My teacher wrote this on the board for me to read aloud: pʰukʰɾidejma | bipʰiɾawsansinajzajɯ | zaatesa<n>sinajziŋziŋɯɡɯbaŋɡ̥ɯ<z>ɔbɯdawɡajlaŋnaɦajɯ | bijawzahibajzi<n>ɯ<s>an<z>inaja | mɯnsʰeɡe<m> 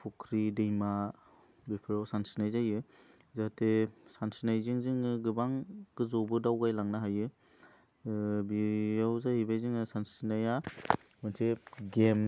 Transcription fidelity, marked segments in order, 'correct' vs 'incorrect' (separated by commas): correct, correct, incorrect, correct, incorrect, correct